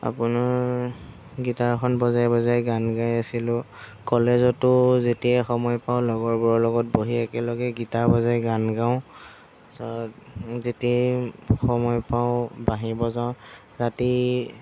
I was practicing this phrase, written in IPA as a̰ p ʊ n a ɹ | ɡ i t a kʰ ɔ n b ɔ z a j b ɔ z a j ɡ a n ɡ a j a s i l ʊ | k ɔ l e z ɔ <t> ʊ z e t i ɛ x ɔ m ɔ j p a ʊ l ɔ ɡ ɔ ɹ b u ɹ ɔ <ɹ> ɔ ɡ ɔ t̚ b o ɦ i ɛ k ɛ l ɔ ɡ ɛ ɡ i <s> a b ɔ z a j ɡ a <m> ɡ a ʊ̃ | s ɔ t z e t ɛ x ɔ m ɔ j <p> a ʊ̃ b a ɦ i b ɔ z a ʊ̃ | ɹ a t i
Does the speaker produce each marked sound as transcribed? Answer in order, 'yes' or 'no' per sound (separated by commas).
yes, no, no, no, yes